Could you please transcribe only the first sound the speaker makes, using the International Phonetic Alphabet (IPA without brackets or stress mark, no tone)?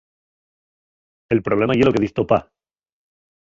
e̞